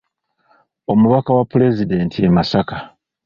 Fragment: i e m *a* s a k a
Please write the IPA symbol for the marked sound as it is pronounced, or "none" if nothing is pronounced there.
a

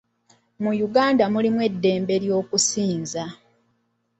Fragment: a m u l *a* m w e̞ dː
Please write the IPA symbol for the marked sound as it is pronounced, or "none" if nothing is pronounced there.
i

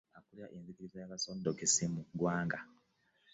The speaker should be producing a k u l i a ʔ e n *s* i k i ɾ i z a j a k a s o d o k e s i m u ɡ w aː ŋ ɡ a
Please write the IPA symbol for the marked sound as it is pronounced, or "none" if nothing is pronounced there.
z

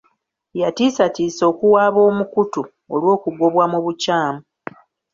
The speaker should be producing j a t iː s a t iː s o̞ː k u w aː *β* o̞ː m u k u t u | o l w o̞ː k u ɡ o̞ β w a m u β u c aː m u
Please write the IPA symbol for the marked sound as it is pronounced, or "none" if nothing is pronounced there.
β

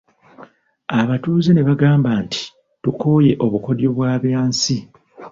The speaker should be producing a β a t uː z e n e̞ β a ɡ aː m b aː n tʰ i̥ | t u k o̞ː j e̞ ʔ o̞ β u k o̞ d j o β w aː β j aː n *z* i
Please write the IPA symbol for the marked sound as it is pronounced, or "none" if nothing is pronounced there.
s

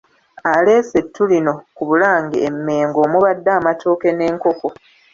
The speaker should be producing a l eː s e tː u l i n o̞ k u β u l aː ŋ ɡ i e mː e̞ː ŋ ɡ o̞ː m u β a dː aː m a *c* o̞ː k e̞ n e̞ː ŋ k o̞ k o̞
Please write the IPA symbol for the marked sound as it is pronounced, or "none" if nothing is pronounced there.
t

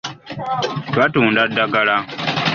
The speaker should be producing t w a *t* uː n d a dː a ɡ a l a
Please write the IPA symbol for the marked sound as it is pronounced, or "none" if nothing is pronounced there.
t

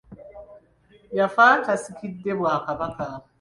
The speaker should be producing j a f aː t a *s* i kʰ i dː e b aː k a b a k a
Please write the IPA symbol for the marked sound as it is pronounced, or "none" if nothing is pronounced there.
s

